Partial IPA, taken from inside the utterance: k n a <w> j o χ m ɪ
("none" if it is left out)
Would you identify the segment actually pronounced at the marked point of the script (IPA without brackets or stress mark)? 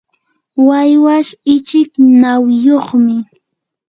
w